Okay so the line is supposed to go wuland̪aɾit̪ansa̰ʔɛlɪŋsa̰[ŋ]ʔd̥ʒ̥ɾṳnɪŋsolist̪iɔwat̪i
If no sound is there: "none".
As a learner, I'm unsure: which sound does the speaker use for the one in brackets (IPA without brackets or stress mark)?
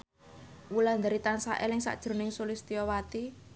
none